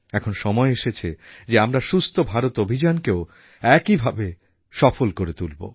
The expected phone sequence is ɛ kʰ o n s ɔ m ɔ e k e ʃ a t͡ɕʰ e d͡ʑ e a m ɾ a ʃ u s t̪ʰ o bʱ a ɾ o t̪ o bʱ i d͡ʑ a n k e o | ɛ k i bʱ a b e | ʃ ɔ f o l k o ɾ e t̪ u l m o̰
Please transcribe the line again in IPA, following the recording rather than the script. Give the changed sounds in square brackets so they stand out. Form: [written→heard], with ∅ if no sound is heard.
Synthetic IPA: ɛ kʰ o n [s→ʃ] ɔ m ɔ e [k→∅] e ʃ [a→e] t͡ɕʰ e d͡ʑ e a m ɾ a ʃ u s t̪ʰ o bʱ a ɾ o t̪ o bʱ i d͡ʑ a n k e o | ɛ k i bʱ a b e | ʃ ɔ f o l k o ɾ e t̪ u l [m→b] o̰